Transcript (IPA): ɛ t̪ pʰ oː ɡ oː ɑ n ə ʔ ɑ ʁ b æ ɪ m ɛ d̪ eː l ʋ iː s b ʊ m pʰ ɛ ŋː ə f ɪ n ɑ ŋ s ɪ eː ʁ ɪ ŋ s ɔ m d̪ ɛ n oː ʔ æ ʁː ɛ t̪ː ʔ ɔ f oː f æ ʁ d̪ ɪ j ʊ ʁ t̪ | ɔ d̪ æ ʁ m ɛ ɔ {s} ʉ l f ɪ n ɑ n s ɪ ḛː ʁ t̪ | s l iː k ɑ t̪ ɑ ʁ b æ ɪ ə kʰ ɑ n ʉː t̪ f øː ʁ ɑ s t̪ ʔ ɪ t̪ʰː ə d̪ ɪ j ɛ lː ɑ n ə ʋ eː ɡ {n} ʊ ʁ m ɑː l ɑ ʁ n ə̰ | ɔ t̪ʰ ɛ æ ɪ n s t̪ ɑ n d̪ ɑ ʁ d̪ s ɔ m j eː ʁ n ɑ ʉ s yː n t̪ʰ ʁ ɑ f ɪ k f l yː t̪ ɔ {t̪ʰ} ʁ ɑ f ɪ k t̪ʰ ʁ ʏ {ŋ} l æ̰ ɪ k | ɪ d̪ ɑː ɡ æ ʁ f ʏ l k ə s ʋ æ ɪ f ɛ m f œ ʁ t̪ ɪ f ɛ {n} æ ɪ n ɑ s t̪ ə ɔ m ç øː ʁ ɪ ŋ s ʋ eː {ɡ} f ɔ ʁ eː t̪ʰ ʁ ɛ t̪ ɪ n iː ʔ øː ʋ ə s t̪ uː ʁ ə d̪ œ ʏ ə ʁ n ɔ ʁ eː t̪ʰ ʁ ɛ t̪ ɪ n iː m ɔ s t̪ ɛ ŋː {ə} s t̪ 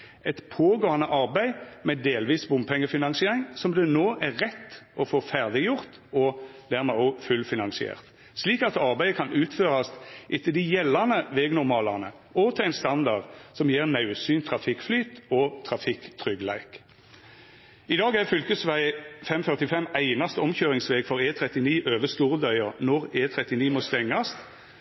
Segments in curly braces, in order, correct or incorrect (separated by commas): incorrect, correct, correct, incorrect, incorrect, correct, incorrect